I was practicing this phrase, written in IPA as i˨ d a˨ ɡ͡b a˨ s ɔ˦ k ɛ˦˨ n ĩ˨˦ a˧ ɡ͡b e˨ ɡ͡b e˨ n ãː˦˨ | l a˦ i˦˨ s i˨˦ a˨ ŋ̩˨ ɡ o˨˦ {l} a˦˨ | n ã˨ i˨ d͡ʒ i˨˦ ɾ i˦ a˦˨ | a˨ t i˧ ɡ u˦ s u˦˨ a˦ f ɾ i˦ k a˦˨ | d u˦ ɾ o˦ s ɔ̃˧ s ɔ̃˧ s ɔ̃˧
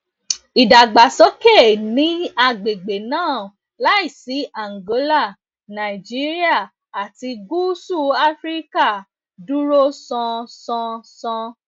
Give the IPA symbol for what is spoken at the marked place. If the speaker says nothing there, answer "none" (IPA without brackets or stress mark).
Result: l